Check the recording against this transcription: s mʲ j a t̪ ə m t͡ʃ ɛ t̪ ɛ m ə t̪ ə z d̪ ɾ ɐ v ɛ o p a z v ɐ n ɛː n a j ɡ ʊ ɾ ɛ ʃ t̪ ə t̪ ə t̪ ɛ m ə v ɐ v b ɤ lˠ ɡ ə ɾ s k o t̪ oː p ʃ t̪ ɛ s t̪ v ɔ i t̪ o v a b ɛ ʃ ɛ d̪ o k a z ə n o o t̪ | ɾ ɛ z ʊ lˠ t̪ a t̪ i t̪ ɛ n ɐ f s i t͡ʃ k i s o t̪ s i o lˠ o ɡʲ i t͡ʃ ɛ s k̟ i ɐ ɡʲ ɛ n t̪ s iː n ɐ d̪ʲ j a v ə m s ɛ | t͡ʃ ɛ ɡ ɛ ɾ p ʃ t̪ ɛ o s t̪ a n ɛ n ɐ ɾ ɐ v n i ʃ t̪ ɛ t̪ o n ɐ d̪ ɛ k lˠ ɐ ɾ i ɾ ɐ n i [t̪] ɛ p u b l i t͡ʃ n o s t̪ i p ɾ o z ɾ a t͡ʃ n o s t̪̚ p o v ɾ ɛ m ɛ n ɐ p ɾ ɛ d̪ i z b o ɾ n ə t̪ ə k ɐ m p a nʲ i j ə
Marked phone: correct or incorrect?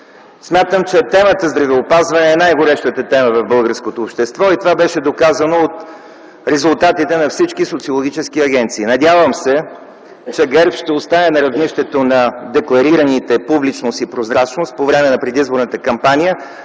correct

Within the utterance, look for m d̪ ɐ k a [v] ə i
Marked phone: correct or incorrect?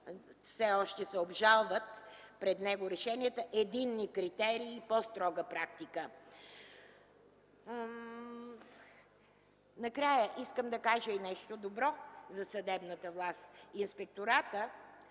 incorrect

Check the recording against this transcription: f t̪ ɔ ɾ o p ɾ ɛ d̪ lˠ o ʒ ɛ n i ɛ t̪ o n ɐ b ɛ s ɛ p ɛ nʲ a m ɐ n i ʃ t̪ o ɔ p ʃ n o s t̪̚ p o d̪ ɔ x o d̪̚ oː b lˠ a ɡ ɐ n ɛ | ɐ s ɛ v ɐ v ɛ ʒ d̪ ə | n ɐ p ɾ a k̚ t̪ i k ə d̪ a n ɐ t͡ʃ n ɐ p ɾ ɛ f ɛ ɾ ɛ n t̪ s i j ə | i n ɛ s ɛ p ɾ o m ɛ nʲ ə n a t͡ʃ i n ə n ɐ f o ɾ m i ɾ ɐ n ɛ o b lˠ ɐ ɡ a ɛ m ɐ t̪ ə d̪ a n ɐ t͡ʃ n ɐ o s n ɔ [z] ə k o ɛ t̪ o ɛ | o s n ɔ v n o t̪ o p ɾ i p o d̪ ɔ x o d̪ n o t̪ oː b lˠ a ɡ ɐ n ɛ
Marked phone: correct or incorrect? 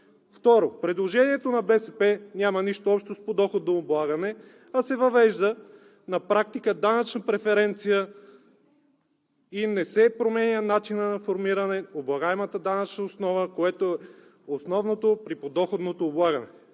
incorrect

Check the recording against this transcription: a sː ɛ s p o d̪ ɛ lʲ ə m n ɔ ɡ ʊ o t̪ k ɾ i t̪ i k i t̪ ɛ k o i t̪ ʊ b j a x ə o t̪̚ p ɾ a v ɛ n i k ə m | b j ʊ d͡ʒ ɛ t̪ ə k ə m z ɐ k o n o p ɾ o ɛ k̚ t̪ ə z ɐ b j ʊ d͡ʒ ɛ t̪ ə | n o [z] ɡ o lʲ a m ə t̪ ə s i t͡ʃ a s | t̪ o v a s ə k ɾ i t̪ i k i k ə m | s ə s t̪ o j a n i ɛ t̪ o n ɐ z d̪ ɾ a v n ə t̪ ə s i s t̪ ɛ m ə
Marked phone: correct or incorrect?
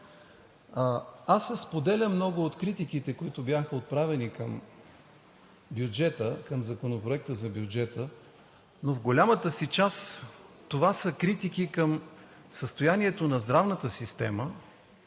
incorrect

